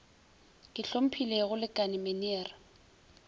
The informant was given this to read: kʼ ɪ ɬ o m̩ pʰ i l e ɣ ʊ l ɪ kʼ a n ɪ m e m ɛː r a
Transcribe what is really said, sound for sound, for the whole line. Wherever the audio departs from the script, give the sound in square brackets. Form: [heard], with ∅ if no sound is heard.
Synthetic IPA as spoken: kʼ ɪ ɬ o m̩ pʰ i l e ɣ ʊ l ɪ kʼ a n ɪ m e [n] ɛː r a